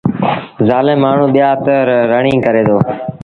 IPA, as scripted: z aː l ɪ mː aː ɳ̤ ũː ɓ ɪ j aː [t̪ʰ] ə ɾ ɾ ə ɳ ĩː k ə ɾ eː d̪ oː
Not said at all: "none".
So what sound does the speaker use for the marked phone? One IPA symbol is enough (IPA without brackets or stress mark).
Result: t̪